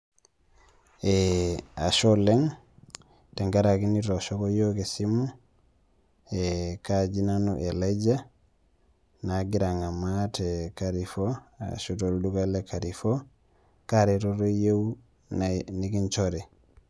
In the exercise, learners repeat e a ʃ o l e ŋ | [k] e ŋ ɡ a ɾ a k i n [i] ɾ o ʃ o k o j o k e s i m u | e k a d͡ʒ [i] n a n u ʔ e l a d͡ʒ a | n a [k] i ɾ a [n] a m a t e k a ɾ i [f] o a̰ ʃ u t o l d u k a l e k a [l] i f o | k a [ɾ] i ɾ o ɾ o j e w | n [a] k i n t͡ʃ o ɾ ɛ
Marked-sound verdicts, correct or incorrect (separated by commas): incorrect, correct, correct, incorrect, incorrect, correct, incorrect, correct, incorrect